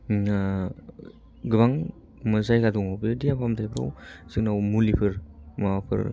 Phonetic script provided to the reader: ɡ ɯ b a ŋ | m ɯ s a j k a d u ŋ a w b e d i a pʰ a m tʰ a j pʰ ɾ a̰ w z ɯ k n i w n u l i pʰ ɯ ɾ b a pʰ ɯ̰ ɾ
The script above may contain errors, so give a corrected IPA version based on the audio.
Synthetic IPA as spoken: ɡ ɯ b a ŋ | m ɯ z a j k a d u ŋ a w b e d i a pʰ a m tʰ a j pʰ ɾ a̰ w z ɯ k n a w m u l i pʰ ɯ ɾ m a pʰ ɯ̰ ɾ

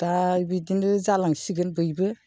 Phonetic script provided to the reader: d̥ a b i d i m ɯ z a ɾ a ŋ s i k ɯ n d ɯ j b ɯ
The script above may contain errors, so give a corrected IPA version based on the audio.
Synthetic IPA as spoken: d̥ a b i d i n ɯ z a l a ŋ s i ɡ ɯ n b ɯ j b ɯ

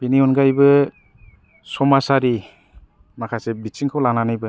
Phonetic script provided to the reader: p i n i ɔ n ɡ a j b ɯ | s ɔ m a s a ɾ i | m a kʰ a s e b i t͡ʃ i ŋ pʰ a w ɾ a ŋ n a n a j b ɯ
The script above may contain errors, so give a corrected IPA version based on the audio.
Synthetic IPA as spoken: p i n i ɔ n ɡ a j b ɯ | s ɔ m a s a ɾ i | m a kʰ a s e b i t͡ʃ i ŋ kʰ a w l a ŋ n a n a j b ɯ

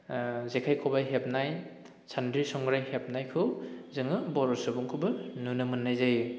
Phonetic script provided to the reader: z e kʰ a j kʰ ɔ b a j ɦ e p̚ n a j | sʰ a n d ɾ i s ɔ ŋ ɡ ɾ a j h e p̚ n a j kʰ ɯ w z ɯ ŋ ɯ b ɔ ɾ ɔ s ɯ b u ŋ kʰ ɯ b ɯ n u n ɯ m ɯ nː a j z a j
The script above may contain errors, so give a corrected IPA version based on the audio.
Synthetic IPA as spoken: z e kʰ a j kʰ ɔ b a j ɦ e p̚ n a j | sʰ a n d ɾ i s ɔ ŋ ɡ ɾ a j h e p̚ n a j kʰ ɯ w z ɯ ŋ ɯ b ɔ ɾ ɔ s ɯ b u ŋ kʰ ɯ b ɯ n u n ɯ m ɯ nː a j z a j

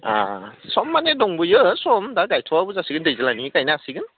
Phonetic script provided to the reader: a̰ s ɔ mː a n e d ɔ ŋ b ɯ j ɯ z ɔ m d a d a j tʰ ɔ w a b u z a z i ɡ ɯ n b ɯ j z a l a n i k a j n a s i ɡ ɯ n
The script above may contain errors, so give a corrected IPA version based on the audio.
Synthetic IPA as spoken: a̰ s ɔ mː a n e d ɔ ŋ b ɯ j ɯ s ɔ m d a ɡ a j tʰ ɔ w a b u z a s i ɡ ɯ n d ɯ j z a l a n i k a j n a s i ɡ ɯ n

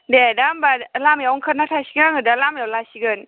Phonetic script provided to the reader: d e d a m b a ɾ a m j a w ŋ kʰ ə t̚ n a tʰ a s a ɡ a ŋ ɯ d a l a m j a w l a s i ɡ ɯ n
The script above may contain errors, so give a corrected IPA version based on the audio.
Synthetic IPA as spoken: d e d a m b a l a m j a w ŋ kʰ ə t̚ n a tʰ a s i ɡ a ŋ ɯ d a l a m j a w l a s i ɡ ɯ n

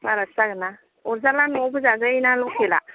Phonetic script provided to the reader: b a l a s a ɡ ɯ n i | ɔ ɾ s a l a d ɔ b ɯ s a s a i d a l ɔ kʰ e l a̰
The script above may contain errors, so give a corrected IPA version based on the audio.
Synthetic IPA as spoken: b a ɾ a s a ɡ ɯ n a | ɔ ɾ z a l a n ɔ b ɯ z a z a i n a l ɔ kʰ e l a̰

